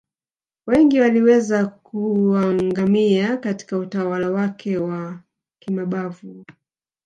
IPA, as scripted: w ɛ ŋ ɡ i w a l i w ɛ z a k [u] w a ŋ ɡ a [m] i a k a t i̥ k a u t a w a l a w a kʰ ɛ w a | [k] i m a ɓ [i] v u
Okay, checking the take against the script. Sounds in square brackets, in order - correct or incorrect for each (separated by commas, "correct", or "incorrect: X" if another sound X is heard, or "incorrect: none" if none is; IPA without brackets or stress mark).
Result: correct, correct, correct, incorrect: a